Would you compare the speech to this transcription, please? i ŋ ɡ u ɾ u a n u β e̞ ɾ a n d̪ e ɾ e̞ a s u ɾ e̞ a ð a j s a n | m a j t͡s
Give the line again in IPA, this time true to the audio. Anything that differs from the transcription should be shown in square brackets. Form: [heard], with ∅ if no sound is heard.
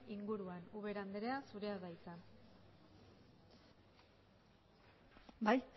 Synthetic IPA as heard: i ŋ ɡ u ɾ u a n u β e̞ ɾ a n d̪ e ɾ e̞ a s u ɾ e̞ a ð a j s a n | [b] a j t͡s